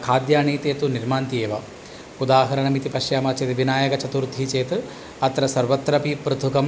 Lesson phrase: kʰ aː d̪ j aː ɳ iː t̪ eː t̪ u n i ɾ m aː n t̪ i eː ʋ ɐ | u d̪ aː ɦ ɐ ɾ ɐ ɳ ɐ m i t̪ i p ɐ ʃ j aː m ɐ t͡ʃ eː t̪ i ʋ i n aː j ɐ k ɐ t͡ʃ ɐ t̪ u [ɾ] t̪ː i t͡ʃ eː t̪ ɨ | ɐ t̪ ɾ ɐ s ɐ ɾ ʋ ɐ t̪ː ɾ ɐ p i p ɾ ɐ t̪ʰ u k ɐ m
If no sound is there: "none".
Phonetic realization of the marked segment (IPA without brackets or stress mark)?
ɾ